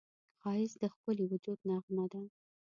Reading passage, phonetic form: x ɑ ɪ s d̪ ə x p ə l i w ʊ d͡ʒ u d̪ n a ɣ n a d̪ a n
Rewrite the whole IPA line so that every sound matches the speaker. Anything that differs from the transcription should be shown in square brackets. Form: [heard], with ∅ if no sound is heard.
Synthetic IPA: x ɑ ɪ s d̪ ə x p ə l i w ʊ d͡ʒ u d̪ n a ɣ [m] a d̪ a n